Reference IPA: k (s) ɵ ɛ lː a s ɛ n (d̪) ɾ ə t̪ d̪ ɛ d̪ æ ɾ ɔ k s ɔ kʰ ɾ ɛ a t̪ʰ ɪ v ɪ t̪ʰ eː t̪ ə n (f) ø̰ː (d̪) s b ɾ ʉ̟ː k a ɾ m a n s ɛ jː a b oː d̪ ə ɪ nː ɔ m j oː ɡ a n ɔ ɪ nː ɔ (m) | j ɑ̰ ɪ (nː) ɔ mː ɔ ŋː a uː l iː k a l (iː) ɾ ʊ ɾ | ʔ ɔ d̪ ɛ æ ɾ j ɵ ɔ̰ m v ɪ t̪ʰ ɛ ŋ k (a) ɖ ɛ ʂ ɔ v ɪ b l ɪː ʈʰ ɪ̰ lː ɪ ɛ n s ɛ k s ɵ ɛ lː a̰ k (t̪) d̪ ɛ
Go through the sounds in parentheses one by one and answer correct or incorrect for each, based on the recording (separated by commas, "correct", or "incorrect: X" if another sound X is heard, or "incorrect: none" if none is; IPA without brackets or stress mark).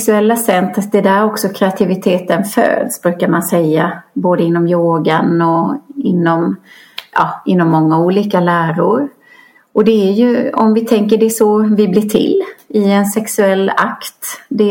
correct, incorrect: t̪, correct, correct, correct, correct, incorrect: æː, incorrect: ə, correct